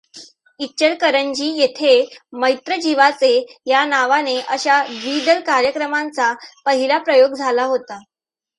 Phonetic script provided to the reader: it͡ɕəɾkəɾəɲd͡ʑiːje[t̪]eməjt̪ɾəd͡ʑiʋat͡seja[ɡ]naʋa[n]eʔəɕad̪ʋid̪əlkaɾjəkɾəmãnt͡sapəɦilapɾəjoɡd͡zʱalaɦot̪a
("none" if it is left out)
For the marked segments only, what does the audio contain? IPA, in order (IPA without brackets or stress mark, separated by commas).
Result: t̪ʰ, none, n